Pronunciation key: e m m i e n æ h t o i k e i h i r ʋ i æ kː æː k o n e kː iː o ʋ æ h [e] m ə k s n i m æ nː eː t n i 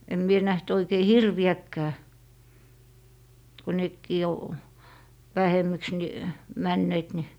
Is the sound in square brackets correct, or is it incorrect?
correct